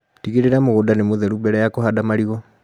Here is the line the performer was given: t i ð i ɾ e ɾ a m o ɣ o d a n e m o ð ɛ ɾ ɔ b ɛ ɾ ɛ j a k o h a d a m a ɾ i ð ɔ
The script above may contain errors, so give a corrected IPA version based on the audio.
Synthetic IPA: t i ɣ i ɾ e ɾ a m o ɣ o d a n e m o ð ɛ ɾ u b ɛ ɾ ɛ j a k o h a d a m a ɾ i ɣ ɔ